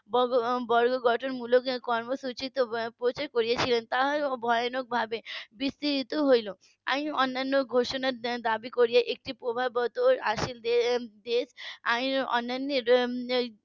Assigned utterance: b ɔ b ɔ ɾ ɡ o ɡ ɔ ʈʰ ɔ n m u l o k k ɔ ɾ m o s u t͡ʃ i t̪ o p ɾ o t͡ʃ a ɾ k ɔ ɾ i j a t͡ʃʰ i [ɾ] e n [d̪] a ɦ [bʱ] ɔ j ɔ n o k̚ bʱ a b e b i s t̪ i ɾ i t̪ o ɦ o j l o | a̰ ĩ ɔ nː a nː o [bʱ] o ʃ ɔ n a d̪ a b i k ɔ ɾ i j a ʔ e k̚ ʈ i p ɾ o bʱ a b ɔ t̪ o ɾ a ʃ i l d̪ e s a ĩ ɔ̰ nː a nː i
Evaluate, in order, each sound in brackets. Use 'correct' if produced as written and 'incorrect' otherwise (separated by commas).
incorrect, incorrect, correct, incorrect